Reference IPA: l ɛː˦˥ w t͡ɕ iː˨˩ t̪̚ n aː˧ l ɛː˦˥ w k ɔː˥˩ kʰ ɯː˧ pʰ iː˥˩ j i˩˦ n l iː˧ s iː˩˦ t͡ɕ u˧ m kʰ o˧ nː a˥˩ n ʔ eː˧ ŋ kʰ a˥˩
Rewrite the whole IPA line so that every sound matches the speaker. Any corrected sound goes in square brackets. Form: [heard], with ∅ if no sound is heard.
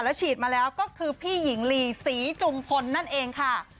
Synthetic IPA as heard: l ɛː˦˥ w [t͡ɕʰ] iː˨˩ t̪̚ [m] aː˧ l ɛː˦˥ w k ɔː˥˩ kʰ ɯː˧ pʰ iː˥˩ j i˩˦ [ŋ] l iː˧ s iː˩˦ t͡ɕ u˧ m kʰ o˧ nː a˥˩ n ʔ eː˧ ŋ kʰ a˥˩